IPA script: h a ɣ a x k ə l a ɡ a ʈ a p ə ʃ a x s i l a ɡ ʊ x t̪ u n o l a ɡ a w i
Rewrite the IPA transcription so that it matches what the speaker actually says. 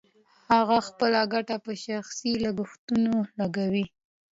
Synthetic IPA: h a ɣ a x p ə l a ɡ a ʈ a p ə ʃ a x s i l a ɡ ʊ x t̪ u n o l a ɡ a w i